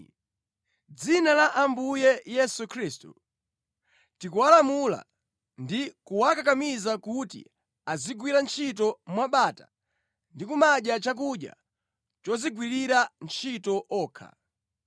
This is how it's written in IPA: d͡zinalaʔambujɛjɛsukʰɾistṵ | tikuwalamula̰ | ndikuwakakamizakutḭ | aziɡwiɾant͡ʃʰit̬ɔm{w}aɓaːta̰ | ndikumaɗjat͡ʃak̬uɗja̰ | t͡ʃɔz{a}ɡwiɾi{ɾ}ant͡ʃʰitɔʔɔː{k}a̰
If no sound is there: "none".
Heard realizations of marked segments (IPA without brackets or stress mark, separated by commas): w, i, ɾ, kʰ